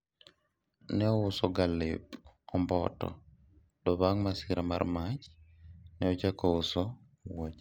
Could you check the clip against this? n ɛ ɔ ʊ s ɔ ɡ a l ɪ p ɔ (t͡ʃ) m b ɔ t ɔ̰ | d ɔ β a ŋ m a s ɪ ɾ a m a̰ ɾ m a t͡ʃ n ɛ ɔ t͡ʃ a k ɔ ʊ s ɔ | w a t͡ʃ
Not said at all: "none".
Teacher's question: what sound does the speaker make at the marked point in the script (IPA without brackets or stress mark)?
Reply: none